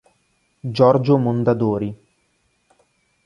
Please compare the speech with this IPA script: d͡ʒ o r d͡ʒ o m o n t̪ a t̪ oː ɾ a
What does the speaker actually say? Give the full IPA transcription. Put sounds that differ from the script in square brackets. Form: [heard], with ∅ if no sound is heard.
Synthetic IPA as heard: d͡ʒ [ɔ] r d͡ʒ o m o n [d̪] a [d̪] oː ɾ [i]